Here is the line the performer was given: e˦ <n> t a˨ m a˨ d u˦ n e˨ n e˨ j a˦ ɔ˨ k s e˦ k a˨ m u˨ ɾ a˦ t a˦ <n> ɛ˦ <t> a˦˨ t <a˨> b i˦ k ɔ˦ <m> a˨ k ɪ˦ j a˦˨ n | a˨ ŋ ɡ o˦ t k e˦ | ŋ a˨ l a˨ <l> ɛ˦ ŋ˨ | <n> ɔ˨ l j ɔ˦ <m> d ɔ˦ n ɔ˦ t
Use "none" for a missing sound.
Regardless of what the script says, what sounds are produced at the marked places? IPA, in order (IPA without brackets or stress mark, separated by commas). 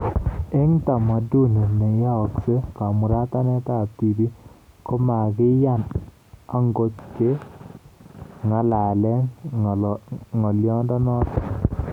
ŋ, n, t, i˨, m, l, ŋ, n